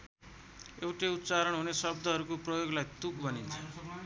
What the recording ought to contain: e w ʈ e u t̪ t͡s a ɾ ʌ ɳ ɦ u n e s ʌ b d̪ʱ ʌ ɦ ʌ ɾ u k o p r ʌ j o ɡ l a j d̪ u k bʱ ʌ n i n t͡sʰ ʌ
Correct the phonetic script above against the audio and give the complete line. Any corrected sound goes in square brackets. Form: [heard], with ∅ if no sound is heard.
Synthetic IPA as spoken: e w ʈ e u t̪ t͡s a ɾ ʌ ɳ ɦ u n e s ʌ b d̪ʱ ʌ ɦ ʌ ɾ u k o p r ʌ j o ɡ l a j [t̪] u k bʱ ʌ n i n t͡sʰ ʌ